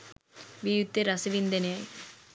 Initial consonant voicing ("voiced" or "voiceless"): voiced